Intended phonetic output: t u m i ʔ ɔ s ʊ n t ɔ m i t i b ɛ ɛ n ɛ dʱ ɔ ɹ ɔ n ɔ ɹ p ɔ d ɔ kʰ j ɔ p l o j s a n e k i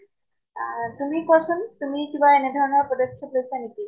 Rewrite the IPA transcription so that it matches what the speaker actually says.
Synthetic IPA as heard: t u m i k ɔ s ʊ n t u m i k i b a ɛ n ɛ dʱ ɔ ɹ ɔ n ɔ ɹ p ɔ d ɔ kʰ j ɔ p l o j s a n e k i